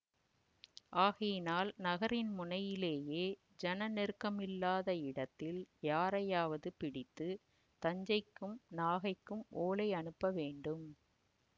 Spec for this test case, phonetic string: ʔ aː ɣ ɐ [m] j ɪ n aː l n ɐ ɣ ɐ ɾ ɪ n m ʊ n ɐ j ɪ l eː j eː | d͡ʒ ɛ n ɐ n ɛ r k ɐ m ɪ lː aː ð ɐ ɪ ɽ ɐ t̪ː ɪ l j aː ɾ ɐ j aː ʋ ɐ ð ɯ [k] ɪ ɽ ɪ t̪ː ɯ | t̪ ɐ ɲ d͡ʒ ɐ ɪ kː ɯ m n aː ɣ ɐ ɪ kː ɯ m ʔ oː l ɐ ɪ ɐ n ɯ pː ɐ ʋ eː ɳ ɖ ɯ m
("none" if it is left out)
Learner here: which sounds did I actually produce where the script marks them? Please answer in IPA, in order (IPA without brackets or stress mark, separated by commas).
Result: none, p